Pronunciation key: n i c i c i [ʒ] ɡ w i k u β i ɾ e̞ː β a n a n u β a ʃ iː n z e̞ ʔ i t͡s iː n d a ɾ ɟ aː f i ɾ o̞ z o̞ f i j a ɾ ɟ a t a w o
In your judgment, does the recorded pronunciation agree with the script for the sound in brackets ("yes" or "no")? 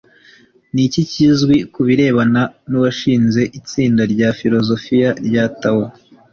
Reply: no